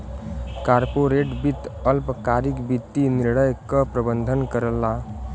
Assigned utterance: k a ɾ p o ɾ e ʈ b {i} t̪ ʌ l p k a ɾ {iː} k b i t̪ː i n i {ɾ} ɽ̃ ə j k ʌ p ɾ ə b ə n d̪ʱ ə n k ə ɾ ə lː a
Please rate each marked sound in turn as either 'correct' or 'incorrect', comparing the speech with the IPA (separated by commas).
correct, incorrect, correct